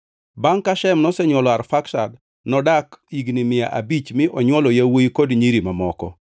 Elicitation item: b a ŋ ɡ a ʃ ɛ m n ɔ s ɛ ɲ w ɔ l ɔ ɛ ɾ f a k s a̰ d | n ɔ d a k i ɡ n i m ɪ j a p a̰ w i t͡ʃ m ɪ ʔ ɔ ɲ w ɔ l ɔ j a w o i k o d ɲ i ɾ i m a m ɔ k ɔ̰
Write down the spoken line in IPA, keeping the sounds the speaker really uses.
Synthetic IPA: b a ŋ k a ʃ ɛ m n ɔ s ɛ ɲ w ɔ l ɔ a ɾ f a k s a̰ d | n ɔ d a k i ɡ n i m ɪ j a ʔ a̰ b i t͡ʃ m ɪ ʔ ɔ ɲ w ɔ l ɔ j a w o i k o d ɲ i ɾ i m a m ɔ k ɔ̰